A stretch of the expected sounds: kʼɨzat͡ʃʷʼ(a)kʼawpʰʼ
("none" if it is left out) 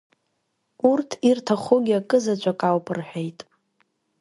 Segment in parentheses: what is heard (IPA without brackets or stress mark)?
a